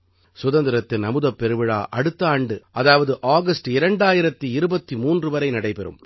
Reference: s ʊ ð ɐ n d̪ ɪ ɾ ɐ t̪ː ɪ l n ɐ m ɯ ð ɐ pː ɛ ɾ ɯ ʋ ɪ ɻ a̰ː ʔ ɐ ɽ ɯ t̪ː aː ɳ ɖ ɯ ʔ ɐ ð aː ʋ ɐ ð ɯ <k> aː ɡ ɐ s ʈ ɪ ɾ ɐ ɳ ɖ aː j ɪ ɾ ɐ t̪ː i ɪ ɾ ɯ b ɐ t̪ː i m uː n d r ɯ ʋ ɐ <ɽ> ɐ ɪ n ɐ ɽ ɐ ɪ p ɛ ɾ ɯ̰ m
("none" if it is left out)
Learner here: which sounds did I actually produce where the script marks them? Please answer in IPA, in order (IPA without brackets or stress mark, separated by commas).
ʔ, ɾ